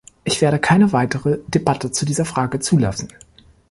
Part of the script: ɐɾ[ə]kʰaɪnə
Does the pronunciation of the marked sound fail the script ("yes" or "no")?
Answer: no